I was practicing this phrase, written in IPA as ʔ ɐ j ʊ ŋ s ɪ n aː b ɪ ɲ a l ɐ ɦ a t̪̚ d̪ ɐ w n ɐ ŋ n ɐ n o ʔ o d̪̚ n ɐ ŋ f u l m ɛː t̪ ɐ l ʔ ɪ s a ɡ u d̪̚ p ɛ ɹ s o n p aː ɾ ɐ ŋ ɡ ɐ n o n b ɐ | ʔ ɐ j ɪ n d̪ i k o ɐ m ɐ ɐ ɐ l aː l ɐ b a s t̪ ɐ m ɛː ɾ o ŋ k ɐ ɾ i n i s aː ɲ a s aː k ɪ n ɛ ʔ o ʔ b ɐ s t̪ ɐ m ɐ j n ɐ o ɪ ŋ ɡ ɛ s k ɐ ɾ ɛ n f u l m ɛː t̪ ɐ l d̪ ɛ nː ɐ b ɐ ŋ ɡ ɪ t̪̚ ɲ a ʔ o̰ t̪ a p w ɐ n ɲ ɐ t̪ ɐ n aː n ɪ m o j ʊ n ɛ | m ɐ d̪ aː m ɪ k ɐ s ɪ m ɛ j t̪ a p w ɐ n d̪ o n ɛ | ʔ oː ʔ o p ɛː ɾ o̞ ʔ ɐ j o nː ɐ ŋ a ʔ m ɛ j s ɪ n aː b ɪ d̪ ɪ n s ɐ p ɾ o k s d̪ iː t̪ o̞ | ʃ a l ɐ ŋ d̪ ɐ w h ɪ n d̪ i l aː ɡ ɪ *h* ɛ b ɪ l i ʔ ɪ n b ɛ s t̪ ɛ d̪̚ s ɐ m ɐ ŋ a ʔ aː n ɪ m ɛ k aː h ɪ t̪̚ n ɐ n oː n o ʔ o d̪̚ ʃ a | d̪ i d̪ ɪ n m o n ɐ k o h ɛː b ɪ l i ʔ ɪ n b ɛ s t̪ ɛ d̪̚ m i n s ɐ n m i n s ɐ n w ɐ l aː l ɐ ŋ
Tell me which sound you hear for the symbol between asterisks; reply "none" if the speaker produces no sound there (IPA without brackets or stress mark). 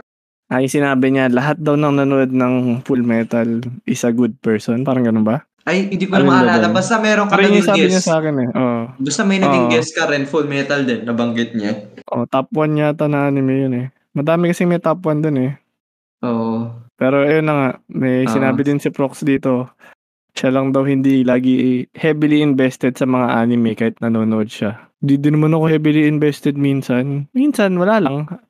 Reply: h